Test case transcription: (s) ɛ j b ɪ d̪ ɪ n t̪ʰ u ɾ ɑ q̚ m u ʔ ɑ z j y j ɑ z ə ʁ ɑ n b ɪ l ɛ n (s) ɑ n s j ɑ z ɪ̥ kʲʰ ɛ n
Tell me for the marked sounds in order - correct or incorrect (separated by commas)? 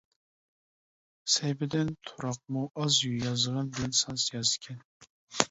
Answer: correct, correct